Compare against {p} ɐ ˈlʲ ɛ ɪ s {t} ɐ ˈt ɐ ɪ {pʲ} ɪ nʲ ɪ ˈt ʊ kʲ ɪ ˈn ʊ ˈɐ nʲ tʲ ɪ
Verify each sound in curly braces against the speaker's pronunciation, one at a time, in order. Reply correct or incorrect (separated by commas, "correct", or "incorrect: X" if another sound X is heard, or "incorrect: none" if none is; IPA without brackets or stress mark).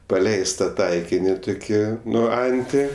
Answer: correct, correct, incorrect: kʲ